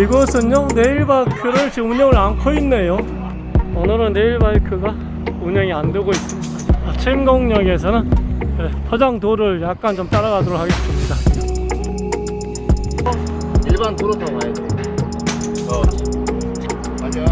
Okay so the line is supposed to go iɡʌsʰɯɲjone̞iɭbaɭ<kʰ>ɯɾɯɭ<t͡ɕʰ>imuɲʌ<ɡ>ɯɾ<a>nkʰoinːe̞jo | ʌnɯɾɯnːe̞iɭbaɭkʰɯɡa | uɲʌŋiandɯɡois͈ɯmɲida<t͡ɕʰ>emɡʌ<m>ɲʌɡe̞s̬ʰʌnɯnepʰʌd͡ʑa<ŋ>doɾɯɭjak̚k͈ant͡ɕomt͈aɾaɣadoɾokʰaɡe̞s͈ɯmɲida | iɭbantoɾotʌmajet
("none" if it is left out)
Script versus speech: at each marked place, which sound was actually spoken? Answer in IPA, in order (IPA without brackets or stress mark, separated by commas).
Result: kʰ, t͡ɕ, ŋ, a, t͡ɕʰ, ŋ, ŋ